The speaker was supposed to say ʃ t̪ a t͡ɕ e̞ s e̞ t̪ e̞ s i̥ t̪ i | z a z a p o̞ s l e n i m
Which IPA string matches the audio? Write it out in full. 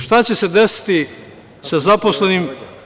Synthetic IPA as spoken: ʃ t̪ a t͡ɕ e̞ s e̞ d̪ e̞ s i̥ t̪ i | s a z a p o̞ s l e n i m